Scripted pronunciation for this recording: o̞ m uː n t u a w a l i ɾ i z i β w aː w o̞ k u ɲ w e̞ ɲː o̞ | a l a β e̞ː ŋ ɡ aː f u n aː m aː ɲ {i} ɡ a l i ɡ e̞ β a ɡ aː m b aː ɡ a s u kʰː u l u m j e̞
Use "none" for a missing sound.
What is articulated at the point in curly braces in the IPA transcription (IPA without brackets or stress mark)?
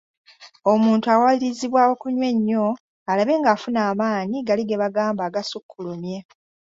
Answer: i